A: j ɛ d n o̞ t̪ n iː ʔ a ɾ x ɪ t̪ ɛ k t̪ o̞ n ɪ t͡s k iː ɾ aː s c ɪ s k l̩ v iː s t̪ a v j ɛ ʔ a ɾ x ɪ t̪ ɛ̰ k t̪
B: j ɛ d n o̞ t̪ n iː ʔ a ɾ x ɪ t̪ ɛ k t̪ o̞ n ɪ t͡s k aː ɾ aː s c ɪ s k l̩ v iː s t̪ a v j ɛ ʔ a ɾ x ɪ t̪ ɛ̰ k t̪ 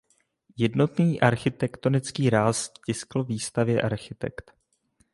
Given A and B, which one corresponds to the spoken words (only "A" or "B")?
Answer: A